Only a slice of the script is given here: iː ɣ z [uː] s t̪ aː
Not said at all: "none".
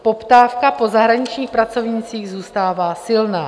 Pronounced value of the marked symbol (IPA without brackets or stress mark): uː